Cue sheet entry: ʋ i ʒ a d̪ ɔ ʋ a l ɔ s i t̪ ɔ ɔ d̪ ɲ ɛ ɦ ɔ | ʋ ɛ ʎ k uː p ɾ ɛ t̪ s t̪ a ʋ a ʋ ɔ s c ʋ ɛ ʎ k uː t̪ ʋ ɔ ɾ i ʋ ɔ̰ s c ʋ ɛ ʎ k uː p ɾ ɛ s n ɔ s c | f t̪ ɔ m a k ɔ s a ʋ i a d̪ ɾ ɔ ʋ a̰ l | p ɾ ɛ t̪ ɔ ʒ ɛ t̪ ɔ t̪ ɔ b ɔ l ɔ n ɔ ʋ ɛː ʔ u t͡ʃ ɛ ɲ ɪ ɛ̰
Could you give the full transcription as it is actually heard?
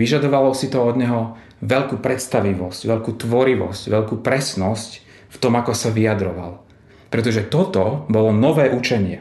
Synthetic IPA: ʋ i ʒ a d̪ ɔ ʋ a l ɔ s i t̪ ɔ ɔ d̪ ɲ ɛ ɦ ɔ | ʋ ɛ ʎ k uː p ɾ ɛ t̪ s t̪ a ʋ i ʋ ɔ s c ʋ ɛ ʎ k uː t̪ ʋ ɔ ɾ i ʋ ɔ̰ s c ʋ ɛ ʎ k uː p ɾ ɛ s n ɔ s c | f t̪ ɔ m a k ɔ s a ʋ i a d̪ ɾ ɔ ʋ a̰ l | p ɾ ɛ t̪ ɔ ʒ ɛ t̪ ɔ t̪ ɔ b ɔ l ɔ n ɔ ʋ ɛː ʔ u t͡ʃ ɛ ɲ ɪ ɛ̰